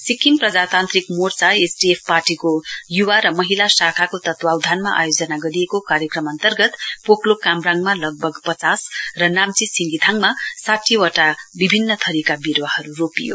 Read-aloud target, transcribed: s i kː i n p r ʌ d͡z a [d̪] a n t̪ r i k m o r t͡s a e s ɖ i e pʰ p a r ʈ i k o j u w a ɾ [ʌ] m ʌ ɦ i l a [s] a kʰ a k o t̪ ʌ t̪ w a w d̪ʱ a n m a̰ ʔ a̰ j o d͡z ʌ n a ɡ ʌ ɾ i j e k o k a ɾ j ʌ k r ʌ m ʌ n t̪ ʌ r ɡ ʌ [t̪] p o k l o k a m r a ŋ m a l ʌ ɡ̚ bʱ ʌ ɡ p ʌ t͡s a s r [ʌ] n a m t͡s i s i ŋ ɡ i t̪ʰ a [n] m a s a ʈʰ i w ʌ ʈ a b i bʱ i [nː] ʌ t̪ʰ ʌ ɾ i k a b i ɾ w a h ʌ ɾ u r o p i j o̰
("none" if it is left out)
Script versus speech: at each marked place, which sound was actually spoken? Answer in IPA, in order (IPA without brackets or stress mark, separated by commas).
t̪, ʌ, s, t̪, ʌ, ŋ, nː